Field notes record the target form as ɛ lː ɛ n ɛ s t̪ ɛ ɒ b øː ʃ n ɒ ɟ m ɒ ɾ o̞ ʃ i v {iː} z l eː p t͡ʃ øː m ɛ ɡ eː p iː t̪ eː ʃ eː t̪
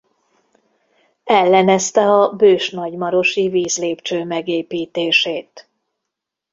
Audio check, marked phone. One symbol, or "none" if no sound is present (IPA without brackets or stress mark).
iː